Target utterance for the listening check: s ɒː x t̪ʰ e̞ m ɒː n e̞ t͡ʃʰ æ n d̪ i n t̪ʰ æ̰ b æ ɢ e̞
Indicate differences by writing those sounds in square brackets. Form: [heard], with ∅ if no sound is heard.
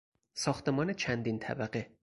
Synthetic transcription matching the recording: s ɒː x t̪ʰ e̞ m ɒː n e̞ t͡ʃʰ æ n d̪ i n t̪ʰ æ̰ b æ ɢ e̞